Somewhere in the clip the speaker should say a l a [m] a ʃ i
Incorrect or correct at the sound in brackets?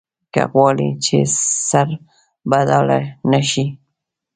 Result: incorrect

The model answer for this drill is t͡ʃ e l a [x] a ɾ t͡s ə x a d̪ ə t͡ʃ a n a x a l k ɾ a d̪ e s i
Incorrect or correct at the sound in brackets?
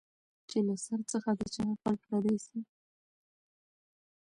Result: incorrect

